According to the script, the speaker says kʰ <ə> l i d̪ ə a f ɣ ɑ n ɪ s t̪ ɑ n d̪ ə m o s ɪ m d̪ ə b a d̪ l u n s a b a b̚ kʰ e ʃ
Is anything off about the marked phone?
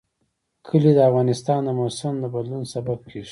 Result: no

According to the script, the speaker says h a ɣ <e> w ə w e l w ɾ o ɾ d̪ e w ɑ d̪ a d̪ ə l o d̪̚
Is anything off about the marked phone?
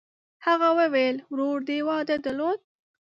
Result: yes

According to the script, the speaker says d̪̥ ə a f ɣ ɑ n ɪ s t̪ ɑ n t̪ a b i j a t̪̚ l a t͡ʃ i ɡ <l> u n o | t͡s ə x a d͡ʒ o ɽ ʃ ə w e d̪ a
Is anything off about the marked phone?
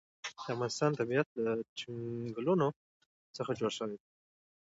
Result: no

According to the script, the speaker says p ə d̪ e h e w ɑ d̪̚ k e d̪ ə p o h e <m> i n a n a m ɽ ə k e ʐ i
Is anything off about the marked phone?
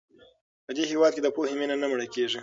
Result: no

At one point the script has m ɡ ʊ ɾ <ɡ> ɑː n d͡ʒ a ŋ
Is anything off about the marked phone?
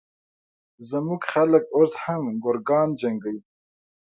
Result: no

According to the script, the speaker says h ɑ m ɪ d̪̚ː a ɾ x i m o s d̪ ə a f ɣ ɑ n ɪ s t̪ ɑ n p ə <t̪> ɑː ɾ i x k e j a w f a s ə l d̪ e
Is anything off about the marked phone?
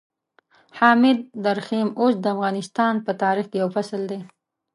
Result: no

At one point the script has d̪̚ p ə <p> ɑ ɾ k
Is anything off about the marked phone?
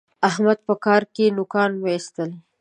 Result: yes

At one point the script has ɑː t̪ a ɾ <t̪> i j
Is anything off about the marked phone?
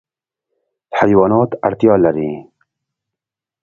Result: no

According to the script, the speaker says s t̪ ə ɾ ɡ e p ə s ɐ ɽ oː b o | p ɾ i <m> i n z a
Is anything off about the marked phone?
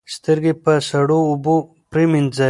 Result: no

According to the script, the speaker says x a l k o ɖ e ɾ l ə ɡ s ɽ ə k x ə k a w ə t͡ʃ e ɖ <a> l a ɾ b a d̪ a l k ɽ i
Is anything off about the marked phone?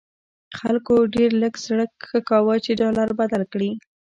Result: yes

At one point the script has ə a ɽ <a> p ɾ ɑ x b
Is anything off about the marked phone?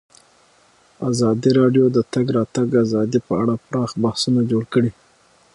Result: no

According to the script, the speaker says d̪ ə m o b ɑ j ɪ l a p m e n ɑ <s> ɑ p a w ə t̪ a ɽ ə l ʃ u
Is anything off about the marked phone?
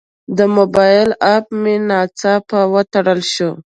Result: yes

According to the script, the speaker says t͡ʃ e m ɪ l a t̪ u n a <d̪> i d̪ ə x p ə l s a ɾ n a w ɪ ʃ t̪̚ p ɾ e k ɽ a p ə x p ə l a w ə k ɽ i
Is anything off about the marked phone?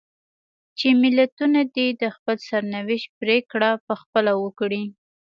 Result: no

